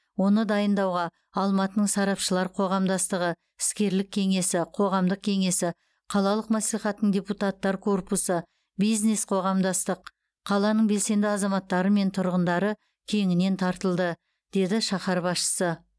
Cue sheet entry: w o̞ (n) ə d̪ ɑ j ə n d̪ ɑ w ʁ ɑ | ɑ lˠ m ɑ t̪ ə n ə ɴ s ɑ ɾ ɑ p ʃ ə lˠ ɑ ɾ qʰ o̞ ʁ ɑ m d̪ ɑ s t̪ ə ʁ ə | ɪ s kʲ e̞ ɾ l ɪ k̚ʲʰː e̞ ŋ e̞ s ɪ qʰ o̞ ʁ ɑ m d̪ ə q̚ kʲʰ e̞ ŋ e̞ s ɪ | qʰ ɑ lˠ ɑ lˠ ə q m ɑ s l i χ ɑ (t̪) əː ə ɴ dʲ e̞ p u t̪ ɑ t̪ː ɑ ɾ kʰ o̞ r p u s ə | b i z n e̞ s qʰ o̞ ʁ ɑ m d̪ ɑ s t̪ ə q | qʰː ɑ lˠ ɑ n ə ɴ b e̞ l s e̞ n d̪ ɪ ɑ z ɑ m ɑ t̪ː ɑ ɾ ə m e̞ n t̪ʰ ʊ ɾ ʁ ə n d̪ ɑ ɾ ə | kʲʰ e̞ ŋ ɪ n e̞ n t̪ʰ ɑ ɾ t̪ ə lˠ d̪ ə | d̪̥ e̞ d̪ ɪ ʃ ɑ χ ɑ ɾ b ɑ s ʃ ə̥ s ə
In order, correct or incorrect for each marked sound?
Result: correct, correct

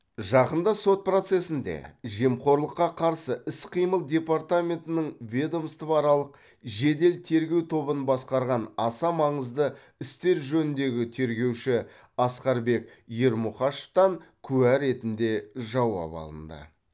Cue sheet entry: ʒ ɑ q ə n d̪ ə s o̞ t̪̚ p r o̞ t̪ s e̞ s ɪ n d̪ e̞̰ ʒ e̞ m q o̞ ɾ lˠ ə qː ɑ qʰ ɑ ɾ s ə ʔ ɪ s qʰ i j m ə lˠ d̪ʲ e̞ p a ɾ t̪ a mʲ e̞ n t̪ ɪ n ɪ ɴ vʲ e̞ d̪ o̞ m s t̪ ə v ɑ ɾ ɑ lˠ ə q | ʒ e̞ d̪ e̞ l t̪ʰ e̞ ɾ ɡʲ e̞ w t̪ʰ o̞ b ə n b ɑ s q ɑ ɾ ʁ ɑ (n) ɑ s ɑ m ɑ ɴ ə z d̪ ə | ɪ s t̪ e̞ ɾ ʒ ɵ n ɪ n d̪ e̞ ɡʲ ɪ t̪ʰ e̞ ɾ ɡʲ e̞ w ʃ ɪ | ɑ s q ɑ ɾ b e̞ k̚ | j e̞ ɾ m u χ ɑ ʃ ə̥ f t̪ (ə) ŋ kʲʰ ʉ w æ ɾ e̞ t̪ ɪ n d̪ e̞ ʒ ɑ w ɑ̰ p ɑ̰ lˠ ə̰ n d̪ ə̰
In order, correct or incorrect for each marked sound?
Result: correct, incorrect: ɑ

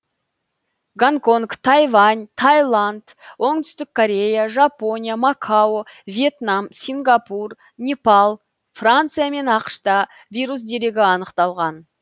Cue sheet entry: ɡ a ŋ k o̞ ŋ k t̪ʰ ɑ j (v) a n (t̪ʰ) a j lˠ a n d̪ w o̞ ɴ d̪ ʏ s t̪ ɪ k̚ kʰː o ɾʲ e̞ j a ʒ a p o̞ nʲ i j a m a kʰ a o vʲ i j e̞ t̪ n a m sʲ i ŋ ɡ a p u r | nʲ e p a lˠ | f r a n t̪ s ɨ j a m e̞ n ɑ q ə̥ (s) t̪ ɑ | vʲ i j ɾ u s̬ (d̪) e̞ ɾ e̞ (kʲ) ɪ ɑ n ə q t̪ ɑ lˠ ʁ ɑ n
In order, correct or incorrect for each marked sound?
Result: correct, correct, incorrect: ʃ, correct, incorrect: ɡʲ

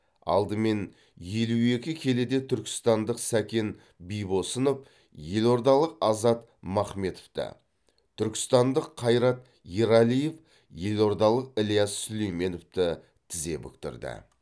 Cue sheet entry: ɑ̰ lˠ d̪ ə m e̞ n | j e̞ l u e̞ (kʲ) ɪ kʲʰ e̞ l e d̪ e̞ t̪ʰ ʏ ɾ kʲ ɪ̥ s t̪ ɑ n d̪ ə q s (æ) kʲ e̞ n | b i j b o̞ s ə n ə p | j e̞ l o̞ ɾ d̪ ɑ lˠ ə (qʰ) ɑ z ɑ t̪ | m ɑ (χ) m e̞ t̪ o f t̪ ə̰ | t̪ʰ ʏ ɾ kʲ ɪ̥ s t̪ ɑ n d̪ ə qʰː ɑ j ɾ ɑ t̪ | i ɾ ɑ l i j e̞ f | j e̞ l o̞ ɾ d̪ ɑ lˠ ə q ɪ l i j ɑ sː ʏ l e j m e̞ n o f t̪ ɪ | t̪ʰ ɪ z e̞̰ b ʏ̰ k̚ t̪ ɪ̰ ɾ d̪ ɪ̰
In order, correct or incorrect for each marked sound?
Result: correct, correct, incorrect: q, correct

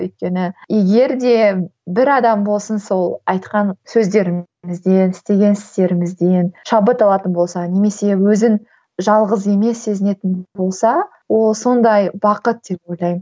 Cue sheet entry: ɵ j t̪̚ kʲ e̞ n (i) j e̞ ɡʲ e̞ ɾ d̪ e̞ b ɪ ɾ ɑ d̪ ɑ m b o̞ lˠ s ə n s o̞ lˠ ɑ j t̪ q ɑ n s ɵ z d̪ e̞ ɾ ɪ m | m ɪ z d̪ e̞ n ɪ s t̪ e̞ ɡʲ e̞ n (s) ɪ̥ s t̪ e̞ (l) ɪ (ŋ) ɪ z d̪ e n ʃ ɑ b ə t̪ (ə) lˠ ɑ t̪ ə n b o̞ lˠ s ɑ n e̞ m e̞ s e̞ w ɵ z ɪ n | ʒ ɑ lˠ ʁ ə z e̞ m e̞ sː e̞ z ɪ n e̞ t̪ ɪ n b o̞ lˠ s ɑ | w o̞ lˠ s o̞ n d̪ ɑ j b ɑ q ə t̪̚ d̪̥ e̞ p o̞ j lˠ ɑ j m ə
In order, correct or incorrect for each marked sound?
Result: incorrect: ɪ, correct, incorrect: ɾ, incorrect: m, incorrect: ɑ

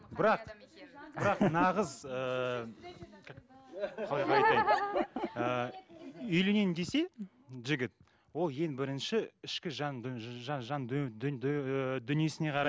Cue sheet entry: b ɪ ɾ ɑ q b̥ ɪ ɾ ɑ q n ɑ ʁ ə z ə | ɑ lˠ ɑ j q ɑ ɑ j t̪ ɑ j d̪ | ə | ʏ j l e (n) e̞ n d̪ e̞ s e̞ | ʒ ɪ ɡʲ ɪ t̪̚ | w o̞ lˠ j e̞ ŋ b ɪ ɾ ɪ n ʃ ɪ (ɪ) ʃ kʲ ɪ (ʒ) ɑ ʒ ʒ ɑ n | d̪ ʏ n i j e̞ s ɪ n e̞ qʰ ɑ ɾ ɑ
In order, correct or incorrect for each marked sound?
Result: correct, correct, correct

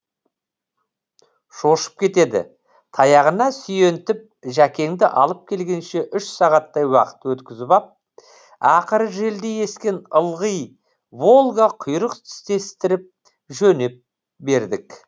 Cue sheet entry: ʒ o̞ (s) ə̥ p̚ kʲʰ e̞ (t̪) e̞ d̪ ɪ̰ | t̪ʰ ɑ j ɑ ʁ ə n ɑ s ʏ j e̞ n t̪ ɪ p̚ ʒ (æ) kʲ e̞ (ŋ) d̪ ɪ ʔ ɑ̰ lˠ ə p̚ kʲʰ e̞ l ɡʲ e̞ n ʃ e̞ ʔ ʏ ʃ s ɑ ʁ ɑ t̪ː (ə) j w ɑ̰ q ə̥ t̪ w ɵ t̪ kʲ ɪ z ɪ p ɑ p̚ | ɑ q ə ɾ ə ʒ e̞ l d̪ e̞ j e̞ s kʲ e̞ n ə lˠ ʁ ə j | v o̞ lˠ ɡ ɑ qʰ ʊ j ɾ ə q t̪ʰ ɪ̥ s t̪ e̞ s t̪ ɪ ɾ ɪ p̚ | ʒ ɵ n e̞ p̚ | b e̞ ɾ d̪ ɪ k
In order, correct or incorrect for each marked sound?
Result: incorrect: ʃ, correct, correct, correct, incorrect: ɑ

